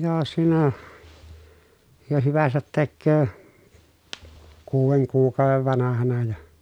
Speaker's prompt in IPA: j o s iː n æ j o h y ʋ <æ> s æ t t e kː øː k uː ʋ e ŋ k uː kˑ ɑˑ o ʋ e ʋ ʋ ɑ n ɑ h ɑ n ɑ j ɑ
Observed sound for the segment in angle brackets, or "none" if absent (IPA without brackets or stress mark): æ